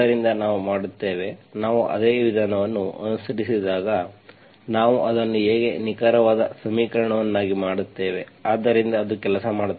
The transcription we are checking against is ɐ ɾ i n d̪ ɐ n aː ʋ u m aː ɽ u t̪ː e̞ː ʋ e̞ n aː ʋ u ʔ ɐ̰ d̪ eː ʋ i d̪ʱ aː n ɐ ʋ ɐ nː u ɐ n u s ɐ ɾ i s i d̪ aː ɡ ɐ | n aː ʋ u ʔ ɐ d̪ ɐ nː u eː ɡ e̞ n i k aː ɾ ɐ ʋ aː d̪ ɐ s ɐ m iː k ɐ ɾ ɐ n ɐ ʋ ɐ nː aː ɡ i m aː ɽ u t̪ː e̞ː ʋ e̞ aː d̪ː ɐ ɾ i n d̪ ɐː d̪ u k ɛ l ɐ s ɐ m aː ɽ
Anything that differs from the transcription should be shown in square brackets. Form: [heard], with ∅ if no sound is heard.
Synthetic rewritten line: ɐ ɾ i n d̪ ɐ n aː ʋ u m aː ɽ u t̪ː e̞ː ʋ e̞ n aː ʋ u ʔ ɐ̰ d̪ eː ʋ i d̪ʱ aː n ɐ ʋ ɐ nː u ɐ n u s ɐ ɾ i s i d̪ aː ɡ ɐ | n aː ʋ u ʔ ɐ d̪ ɐ nː u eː ɡ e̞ n i k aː ɾ ɐ ʋ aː d̪ ɐ s ɐ m iː k ɐ ɾ ɐ [ɳ] ɐ ʋ ɐ nː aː ɡ i m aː ɽ u t̪ː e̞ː ʋ e̞ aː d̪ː ɐ ɾ i n d̪ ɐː d̪ u k ɛ l ɐ s ɐ m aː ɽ